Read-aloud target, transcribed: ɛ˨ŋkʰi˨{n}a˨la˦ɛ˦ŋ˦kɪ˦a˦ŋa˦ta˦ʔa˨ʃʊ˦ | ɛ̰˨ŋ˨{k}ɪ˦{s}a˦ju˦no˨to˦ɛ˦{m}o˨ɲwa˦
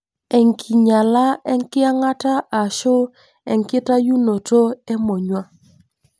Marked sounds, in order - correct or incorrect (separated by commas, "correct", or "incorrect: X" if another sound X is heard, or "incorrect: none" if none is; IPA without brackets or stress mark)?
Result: incorrect: ɲ, correct, incorrect: t, correct